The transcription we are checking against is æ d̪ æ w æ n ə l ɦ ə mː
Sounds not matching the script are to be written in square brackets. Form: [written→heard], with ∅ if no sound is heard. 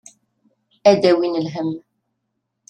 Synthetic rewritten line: æ d̪ æ w [æ→i] n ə l ɦ ə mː